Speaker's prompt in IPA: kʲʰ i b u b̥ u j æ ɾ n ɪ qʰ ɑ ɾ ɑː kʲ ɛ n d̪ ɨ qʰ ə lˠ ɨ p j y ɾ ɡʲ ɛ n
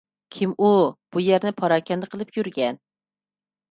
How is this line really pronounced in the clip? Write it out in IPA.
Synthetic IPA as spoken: kʲʰ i m u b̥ u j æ ɾ n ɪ pʰ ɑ ɾ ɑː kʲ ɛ n d̪ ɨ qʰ ə lˠ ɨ p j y ɾ ɡʲ ɛ n